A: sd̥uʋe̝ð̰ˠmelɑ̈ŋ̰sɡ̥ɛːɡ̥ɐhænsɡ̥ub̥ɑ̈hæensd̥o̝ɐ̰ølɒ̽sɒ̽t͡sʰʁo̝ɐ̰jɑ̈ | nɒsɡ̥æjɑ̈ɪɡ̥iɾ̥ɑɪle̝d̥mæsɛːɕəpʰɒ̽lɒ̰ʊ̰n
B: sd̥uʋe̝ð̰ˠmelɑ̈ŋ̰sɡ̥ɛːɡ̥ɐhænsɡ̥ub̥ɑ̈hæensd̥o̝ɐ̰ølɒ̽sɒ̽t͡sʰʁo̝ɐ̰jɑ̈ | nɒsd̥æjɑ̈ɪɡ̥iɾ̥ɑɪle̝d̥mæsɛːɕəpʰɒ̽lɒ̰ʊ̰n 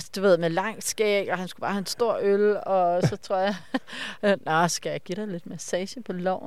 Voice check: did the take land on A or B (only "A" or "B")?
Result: A